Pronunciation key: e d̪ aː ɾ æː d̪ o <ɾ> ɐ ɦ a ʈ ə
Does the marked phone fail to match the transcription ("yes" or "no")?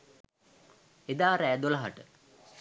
yes